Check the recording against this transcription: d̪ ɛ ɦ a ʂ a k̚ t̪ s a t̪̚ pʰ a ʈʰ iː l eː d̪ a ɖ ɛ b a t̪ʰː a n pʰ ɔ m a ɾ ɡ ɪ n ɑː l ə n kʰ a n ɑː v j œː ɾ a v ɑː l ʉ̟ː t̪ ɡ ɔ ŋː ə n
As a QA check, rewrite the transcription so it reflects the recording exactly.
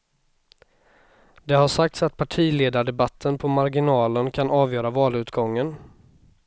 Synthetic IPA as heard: d̪ ɛ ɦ a ʂ a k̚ t̪ s a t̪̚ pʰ a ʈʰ iː l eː d̪ a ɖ ɛ b a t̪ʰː ə n pʰ ɔ m a ɾ ɡ ɪ n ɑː l ə n kʰ a n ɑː v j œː ɾ a v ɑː l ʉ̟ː t̪ ɡ ɔ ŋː ə n